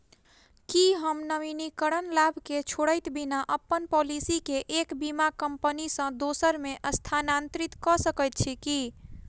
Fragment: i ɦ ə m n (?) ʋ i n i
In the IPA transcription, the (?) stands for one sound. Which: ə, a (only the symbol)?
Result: ə